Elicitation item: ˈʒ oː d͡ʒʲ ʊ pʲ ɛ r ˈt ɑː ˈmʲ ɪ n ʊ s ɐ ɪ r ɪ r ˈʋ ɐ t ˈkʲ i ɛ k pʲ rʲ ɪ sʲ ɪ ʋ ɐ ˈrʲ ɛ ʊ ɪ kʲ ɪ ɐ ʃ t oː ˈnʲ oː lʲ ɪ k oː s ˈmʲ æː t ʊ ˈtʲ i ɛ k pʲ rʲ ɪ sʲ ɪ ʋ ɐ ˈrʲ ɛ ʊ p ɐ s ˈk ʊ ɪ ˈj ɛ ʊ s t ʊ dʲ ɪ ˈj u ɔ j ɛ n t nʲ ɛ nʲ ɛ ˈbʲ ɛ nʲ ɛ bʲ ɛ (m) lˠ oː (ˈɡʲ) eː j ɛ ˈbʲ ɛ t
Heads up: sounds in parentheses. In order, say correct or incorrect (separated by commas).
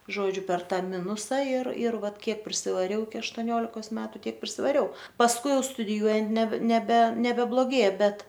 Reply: incorrect, correct